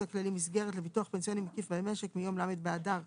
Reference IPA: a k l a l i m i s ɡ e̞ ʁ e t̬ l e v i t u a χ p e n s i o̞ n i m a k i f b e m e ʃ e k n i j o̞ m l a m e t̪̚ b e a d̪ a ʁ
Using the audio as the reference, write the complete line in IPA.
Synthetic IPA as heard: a k l a l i m i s ɡ e̞ ʁ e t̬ l e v i t u a χ p e n s i o̞ n i m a k i f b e m e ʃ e k m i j o̞ m l a m e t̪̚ b e a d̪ a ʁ